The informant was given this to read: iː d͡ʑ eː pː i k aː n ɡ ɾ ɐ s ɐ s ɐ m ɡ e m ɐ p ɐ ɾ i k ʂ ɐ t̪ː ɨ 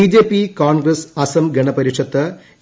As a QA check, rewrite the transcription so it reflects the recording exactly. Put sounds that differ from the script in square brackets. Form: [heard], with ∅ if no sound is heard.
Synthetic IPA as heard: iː d͡ʑ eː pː i k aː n ɡ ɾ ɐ s ɐ s ɐ m ɡ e [ɳ] ɐ p ɐ ɾ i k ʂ ɐ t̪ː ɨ